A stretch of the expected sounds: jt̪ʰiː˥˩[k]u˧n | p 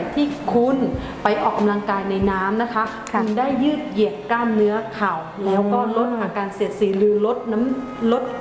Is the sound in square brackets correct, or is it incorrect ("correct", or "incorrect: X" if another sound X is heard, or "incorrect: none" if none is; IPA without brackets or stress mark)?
incorrect: kʰ